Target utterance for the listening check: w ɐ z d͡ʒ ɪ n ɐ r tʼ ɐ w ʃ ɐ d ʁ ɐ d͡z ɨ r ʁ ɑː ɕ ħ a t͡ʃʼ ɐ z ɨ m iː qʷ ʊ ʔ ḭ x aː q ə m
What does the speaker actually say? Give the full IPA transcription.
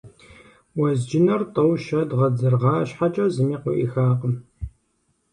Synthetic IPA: w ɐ z d͡ʒ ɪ n ɐ r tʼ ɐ w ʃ ɐ d ʁ ɐ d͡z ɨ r ʁ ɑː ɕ ħ a t͡ʃʼ ɐ z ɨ m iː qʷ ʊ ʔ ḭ x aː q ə m